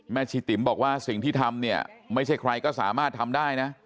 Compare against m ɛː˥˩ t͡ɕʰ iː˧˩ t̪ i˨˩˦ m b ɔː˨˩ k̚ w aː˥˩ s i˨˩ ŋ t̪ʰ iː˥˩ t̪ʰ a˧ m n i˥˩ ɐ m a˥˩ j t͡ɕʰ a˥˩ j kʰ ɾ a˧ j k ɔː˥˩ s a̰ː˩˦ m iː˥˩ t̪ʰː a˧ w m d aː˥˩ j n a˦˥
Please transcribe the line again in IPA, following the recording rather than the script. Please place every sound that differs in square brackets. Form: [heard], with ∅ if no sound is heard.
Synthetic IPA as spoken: m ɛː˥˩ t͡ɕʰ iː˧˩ t̪ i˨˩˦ m b ɔː˨˩ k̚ w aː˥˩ s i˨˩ ŋ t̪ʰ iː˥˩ t̪ʰ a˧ m n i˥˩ ɐ m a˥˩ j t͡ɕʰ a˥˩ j kʰ ɾ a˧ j k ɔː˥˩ s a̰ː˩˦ m [aː˥˩] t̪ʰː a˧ [∅] m d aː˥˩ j n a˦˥